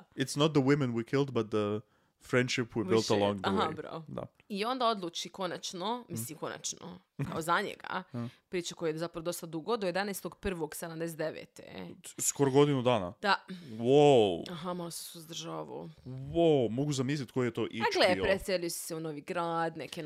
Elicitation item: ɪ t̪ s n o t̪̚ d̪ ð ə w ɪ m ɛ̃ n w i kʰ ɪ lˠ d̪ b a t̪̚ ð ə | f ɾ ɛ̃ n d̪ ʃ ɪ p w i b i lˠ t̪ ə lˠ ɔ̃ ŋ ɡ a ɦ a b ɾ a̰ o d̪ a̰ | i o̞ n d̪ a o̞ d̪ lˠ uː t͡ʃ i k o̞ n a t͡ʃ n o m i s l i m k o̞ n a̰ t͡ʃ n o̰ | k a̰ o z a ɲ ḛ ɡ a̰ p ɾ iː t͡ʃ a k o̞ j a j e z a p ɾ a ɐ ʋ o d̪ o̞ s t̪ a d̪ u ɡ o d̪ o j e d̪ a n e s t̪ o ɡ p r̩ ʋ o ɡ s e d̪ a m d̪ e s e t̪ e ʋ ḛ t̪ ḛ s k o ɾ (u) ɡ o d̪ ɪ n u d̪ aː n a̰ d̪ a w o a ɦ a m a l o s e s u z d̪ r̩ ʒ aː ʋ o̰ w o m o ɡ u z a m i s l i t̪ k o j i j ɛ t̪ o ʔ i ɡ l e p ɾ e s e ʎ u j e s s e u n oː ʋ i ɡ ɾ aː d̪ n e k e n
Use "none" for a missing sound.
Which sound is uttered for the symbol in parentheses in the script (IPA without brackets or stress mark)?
o